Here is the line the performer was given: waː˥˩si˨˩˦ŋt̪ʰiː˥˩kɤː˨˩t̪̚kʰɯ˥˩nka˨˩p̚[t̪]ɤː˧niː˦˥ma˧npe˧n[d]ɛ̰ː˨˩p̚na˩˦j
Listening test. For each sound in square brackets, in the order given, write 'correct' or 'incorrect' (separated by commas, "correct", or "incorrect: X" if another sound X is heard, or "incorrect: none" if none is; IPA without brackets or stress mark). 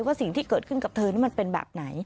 incorrect: t̪ʰ, incorrect: b